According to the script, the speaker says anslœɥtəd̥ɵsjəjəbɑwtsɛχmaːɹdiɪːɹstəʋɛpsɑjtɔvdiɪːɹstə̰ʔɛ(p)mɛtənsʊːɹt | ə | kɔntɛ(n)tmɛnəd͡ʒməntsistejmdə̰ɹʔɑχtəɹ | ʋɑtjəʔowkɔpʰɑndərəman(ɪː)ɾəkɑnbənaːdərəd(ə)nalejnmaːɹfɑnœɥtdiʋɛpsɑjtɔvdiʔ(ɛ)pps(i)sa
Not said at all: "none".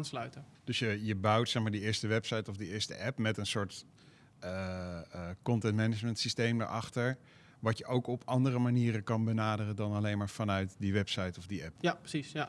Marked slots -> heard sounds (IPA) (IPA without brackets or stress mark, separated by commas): p, n, iː, ɑ, ɛ, i